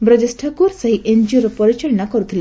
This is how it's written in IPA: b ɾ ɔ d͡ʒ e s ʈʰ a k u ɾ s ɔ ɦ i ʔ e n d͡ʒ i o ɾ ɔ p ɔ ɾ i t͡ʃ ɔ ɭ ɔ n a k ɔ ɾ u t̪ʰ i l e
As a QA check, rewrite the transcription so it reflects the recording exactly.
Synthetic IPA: b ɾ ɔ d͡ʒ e s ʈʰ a k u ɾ s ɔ ɦ i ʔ e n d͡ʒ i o ɾ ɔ p ɔ ɾ i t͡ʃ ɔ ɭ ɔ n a k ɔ ɾ u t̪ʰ i l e